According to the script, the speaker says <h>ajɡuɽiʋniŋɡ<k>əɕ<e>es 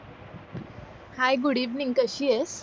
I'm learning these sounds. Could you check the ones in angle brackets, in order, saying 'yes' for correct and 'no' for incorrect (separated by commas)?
yes, yes, no